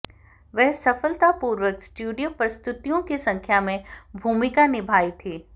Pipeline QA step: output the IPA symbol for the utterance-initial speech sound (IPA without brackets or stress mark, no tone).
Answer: ʋ